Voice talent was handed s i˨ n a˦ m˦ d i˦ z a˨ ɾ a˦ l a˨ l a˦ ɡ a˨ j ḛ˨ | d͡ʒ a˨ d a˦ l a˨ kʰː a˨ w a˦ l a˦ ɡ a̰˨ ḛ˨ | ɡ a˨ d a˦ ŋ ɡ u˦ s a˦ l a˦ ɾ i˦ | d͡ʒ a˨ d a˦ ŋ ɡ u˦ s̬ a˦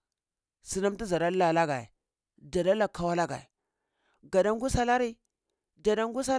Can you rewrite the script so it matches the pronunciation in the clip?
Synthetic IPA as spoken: s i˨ n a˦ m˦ t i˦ z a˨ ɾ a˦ l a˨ l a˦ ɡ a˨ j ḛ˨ | d͡ʒ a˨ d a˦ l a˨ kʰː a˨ w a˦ l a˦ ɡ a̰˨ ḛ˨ | ɡ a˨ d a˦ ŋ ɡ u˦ s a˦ l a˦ ɾ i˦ | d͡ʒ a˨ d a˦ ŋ ɡ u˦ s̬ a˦